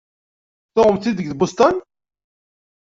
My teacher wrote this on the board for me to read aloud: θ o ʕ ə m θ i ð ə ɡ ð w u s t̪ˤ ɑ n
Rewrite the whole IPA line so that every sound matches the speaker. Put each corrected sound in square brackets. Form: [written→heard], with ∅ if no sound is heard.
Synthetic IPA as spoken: θ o [ʕ→ʁ] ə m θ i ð ə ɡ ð [w→b] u s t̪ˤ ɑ n